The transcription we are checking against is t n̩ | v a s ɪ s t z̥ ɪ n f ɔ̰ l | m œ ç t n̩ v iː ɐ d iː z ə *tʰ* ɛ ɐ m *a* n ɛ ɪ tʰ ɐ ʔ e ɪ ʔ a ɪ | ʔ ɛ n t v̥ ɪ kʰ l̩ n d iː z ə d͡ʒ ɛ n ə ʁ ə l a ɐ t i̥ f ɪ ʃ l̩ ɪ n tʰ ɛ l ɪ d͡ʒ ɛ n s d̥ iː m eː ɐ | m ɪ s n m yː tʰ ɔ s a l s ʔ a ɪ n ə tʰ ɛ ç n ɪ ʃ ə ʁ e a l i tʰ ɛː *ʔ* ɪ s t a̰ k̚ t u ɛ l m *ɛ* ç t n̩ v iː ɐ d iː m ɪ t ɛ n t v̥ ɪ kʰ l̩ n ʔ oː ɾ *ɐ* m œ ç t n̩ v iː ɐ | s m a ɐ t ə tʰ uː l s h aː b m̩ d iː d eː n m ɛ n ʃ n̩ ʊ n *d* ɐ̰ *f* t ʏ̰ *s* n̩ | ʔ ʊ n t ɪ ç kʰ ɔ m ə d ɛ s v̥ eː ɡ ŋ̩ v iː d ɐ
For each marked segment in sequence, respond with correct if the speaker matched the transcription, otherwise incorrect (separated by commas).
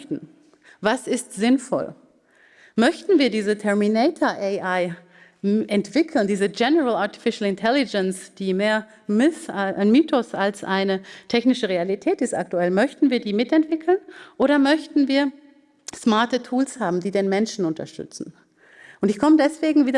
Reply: correct, incorrect, incorrect, incorrect, correct, incorrect, incorrect, incorrect